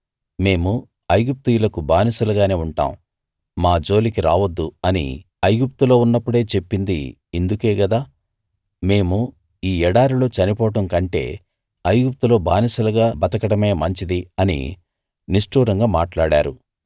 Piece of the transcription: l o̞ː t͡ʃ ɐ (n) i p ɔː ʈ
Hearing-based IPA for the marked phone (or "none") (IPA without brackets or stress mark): n